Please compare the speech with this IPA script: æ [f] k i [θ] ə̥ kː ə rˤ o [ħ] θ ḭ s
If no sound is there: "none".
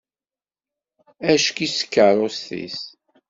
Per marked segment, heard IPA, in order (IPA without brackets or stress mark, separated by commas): ʃ, s, s